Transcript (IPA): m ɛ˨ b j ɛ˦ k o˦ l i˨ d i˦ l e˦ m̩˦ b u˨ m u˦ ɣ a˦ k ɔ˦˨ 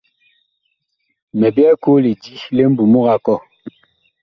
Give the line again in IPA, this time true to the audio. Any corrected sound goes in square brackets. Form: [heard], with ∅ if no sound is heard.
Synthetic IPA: m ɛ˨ b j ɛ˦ k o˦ l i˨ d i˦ l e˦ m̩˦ b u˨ m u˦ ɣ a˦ k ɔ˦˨

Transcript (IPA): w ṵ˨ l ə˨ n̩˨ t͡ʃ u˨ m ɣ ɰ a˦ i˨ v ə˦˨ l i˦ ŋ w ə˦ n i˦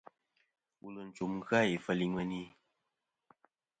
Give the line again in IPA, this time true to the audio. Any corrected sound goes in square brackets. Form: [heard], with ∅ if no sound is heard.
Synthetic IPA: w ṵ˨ l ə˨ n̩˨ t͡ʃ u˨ m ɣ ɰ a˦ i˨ [f] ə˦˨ l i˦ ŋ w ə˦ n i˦

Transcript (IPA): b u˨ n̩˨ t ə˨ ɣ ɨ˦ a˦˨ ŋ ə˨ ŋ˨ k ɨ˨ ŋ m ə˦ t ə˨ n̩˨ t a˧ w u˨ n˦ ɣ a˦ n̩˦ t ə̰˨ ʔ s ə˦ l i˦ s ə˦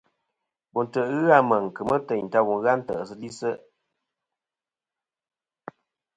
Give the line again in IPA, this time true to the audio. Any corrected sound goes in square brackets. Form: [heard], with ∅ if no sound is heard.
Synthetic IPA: b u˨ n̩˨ t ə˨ ɣ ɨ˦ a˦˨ [m] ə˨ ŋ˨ k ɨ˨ [∅] m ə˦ t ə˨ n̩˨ t a˧ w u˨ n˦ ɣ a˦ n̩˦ t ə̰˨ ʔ s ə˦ l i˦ s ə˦

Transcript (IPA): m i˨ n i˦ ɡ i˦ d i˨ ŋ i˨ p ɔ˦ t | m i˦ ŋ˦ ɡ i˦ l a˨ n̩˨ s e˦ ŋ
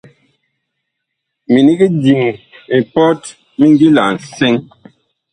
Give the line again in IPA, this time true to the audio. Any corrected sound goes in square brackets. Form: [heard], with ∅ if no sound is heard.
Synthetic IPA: m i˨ n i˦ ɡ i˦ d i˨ ŋ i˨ p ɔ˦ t | m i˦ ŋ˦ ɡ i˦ l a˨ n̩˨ s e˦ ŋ

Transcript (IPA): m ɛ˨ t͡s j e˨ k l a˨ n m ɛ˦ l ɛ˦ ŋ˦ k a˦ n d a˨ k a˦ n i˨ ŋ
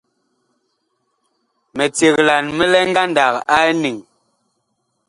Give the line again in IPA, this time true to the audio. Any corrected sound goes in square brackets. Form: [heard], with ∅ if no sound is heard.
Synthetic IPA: m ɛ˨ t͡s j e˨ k l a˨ n m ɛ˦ l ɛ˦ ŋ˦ [ɡ] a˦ n d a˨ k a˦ n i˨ ŋ

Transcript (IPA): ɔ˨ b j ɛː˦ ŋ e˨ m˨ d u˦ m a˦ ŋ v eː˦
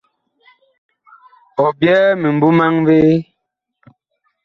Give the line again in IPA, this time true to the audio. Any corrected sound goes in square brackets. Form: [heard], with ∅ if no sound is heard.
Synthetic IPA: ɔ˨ b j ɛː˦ [m] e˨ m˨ [b] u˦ m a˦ ŋ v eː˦

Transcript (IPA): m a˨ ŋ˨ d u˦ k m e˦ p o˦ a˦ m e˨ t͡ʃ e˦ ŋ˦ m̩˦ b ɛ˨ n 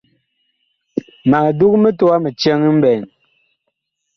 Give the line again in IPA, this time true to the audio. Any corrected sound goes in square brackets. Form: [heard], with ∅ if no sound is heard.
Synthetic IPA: m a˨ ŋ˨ d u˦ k m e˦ [t] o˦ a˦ m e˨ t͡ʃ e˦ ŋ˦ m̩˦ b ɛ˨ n

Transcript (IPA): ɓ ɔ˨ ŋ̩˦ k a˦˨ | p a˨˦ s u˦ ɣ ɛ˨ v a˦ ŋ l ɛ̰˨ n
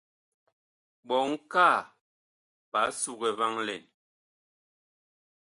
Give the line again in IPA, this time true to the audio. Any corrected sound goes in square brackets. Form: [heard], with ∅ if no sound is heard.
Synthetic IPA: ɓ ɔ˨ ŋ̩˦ k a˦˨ | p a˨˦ s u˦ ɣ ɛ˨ v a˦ ŋ l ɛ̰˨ n

